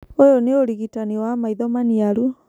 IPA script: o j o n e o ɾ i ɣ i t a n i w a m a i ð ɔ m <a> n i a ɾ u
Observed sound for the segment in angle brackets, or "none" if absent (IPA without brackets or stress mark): a